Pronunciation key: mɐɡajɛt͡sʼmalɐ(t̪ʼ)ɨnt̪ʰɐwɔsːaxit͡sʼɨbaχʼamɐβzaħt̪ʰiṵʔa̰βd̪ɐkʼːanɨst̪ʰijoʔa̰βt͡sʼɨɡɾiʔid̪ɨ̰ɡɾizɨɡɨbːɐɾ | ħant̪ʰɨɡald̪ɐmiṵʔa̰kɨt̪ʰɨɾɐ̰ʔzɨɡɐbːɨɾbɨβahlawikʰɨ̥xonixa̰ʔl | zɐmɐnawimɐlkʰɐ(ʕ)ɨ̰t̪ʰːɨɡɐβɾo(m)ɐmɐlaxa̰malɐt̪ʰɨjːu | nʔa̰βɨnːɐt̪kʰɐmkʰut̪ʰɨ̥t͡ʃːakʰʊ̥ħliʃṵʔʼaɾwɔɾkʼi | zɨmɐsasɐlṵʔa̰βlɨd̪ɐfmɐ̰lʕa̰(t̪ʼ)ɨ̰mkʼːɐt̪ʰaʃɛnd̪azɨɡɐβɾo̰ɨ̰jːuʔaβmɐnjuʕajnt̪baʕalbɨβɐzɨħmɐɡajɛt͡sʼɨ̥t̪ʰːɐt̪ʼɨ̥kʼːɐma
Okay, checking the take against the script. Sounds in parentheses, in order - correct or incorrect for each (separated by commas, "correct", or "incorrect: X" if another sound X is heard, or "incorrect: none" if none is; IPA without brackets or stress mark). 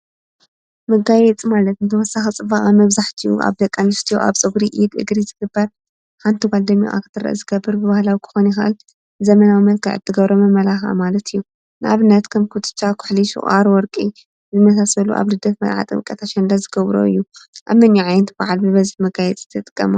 incorrect: t̪, correct, correct, correct